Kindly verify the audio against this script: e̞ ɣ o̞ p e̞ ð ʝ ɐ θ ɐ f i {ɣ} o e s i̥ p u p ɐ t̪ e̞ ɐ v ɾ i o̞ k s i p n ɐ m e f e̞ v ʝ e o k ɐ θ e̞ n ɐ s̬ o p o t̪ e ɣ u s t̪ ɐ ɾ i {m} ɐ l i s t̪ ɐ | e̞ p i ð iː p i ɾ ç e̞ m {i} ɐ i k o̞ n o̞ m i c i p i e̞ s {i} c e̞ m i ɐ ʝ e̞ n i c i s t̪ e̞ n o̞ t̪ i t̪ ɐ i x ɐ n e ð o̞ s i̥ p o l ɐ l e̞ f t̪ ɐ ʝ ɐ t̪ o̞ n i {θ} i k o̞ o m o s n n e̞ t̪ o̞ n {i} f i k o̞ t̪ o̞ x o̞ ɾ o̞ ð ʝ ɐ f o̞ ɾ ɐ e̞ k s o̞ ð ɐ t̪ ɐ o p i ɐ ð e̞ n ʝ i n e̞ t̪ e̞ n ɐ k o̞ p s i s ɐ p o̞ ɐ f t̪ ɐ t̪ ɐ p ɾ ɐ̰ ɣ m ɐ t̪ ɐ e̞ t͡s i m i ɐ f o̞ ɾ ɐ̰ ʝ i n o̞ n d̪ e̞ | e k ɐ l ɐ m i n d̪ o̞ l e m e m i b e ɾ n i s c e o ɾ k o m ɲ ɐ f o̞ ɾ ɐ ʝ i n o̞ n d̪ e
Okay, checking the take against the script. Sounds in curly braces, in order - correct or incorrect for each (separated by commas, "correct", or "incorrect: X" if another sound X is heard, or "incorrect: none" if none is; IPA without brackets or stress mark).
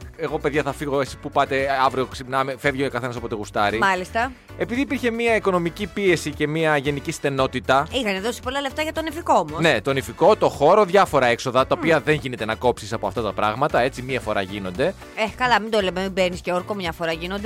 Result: correct, correct, correct, correct, incorrect: f, correct